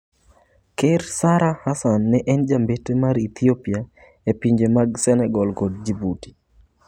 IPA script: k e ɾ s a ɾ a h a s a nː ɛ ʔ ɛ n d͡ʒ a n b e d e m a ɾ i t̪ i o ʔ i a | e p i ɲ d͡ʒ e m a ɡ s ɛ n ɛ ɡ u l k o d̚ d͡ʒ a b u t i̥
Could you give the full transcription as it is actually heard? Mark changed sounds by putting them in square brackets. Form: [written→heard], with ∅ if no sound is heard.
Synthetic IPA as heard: k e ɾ s a ɾ a h a s a nː ɛ ʔ ɛ n d͡ʒ a [n→m] b e [d→t] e m a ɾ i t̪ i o [ʔ→p] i a | e p i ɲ d͡ʒ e m a ɡ s ɛ n ɛ ɡ [u→ɔ] l k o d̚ d͡ʒ [a→i] b u t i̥

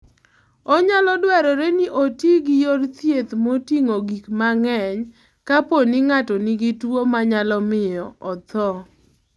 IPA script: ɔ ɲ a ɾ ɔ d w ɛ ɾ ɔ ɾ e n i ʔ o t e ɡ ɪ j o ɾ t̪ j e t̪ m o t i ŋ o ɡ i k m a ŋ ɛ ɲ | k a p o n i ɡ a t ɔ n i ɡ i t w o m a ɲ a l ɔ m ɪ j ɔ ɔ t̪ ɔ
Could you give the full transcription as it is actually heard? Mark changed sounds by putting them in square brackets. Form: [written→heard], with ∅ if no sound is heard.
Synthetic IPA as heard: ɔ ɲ a [ɾ→l] ɔ d w ɛ ɾ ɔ ɾ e n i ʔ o t [e→i] ɡ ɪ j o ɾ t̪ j e t̪ m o t i ŋ o ɡ i k m a ŋ ɛ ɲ | k a p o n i [ɡ→ŋ] a t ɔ n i ɡ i t w o m a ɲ a l ɔ m ɪ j ɔ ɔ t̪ ɔ

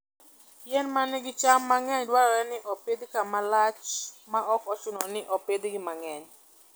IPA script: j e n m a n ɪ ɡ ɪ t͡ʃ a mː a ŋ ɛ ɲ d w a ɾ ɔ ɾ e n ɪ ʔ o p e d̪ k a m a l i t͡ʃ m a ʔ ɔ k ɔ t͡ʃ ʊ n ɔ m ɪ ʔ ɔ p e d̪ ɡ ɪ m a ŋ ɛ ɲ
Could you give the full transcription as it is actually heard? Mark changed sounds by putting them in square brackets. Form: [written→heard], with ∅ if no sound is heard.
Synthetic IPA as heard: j [e→ɛ] n m a n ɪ ɡ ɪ t͡ʃ a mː a ŋ ɛ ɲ d w a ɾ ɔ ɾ [e→ɛ] n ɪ ʔ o p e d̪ k a m a l [i→a] t͡ʃ m a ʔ ɔ k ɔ t͡ʃ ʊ n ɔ [m→n] ɪ ʔ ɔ p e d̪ ɡ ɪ m a ŋ ɛ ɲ

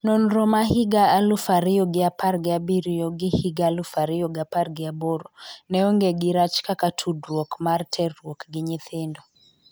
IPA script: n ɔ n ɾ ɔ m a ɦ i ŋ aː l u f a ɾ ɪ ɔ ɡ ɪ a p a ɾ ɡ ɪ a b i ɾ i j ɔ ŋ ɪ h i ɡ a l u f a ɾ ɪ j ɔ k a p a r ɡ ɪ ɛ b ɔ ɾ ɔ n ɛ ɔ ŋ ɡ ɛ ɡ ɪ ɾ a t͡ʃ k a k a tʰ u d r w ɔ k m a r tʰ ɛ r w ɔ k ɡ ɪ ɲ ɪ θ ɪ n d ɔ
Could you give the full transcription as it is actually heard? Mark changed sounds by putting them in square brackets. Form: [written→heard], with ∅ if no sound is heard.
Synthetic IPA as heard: n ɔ n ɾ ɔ m a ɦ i [ŋ→ɡ] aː l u f a ɾ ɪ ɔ ɡ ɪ a p a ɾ ɡ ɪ a b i ɾ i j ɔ [ŋ→ɡ] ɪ h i ɡ a l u f a ɾ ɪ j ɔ [k→ɡ] a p a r ɡ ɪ [ɛ→a] b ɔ ɾ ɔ n ɛ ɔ ŋ ɡ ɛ ɡ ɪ ɾ a t͡ʃ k a k a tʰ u d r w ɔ k m a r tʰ ɛ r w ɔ k ɡ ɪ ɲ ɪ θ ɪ n d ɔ

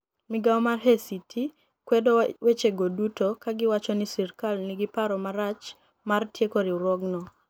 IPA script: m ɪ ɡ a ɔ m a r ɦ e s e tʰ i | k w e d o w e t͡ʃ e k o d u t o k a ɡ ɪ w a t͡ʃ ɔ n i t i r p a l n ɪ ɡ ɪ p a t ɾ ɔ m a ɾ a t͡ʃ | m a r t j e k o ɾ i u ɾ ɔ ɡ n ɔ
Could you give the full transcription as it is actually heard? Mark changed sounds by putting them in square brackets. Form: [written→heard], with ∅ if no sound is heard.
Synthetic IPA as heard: m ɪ ɡ a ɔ m a r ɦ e s [e→i] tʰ i | k w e d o w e t͡ʃ e [k→ɡ] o d u t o k a ɡ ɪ w a t͡ʃ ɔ n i [t→s] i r [p→k] a l n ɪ ɡ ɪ p a [t→∅] ɾ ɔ m a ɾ a t͡ʃ | m a r t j e k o ɾ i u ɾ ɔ ɡ n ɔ

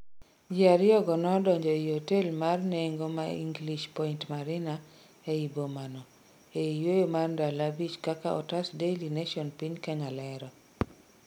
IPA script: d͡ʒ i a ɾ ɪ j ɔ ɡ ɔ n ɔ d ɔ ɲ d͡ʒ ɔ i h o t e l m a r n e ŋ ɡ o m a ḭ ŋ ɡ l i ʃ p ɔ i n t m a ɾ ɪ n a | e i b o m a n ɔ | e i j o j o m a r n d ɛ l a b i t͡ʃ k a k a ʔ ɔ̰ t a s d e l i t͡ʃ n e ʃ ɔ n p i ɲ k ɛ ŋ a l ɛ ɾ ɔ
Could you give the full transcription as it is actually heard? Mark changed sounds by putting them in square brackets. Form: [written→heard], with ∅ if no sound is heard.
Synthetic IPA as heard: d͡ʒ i a ɾ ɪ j ɔ ɡ ɔ n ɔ d ɔ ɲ d͡ʒ ɔ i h o t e l m a r n e ŋ ɡ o m a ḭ ŋ ɡ l i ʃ p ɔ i n t m a ɾ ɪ n a | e i b o m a n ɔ | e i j o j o m a r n d [ɛ→a] l a b i t͡ʃ k a k a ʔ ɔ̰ t a s d e l i [t͡ʃ→∅] n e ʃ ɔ n p i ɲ k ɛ ŋ a l ɛ ɾ ɔ

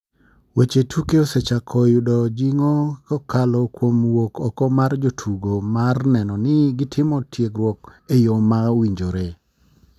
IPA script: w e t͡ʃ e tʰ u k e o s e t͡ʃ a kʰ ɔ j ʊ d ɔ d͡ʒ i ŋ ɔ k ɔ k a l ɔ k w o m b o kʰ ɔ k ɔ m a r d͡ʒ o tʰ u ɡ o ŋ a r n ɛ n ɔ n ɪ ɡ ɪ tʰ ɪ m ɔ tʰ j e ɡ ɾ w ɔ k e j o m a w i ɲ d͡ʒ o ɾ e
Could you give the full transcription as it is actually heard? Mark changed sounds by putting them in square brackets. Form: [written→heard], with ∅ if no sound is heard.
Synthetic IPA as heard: w e t͡ʃ e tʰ u k e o s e t͡ʃ a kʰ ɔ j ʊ d ɔ d͡ʒ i ŋ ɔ k ɔ k a l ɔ k w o m [b→w] o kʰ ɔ k ɔ m a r d͡ʒ o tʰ u ɡ o [ŋ→m] a r n ɛ n ɔ n ɪ ɡ ɪ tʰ ɪ m ɔ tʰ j e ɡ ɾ w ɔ k e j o m a w i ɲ d͡ʒ o ɾ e

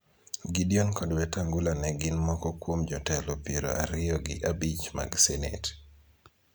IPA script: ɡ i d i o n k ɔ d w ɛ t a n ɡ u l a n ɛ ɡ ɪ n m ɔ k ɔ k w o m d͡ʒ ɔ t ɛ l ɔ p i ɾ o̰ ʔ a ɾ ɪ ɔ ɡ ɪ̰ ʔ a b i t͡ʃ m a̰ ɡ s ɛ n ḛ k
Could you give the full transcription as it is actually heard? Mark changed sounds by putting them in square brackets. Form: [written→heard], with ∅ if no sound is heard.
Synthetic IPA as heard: ɡ i d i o n k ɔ d w ɛ t a [n→ŋ] ɡ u l a n ɛ ɡ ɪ n m ɔ k ɔ k w o m d͡ʒ ɔ t ɛ l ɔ p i ɾ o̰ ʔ a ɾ ɪ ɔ ɡ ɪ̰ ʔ a b i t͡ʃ m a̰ ɡ s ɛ n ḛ [k→t]

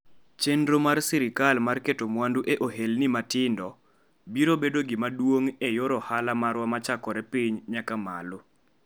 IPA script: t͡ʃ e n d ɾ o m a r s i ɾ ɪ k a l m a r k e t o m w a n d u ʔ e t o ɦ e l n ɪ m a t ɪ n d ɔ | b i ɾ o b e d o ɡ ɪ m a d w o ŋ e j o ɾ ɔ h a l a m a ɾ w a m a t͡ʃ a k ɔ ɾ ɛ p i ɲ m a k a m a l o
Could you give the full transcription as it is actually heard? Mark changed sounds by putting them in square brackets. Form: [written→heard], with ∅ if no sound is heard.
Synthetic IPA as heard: t͡ʃ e n d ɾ o m a r s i ɾ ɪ k a l m a r k e t o m w a n d u ʔ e [t→ʔ] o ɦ e l n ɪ m a t ɪ n d ɔ | b i ɾ o b e d o ɡ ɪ m a d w o ŋ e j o ɾ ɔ h a l a m a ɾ w a m a t͡ʃ a k ɔ ɾ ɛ p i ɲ [m→ɲ] a k a m a l o

